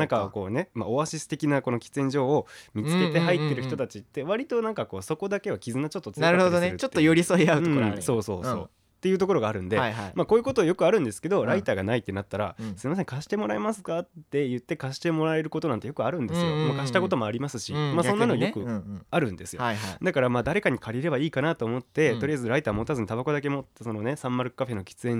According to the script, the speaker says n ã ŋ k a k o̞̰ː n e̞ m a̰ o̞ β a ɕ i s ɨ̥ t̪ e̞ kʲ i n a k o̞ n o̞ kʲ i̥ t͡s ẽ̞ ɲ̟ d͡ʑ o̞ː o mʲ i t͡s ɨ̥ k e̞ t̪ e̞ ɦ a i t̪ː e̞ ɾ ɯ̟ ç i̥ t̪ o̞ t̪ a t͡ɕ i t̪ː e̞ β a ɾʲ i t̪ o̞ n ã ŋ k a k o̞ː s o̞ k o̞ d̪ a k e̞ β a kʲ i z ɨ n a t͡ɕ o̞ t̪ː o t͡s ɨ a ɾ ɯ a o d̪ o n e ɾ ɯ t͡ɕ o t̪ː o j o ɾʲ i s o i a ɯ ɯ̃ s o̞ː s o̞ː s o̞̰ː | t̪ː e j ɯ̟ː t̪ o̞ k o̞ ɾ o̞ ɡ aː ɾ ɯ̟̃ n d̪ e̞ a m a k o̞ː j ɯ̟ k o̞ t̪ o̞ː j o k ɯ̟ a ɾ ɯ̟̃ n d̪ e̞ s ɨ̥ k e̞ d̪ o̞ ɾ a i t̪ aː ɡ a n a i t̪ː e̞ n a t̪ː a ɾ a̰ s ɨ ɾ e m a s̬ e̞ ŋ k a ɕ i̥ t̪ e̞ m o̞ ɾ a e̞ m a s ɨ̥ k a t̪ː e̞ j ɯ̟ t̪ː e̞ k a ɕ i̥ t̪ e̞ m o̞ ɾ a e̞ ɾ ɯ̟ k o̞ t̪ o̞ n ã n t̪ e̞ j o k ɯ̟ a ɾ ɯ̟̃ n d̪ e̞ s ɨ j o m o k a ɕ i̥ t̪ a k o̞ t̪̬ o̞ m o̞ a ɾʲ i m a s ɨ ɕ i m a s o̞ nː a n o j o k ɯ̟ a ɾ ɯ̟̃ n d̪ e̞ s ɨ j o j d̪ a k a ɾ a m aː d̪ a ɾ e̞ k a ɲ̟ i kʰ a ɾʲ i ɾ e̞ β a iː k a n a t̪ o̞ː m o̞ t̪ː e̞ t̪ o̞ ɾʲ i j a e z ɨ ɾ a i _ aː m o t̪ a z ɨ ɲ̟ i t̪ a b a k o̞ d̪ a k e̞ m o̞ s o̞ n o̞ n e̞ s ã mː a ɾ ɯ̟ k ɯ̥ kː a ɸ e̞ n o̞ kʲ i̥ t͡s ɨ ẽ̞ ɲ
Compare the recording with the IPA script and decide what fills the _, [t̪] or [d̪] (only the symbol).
t̪